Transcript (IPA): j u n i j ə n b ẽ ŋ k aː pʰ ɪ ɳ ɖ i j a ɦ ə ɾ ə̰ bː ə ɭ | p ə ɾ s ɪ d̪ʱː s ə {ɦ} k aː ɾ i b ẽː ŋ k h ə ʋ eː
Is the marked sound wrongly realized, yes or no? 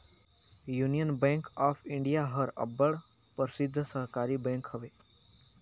no